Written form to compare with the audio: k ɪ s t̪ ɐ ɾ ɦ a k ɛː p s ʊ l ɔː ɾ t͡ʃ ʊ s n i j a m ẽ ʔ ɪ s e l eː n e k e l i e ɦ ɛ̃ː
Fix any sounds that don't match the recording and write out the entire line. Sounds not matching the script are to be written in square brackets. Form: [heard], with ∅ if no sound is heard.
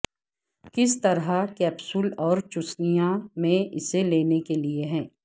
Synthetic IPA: k ɪ s t̪ ɐ ɾ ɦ a k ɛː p s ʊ l ɔː ɾ t͡ʃ ʊ s n i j a m ẽ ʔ ɪ s e l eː n e k e l i e ɦ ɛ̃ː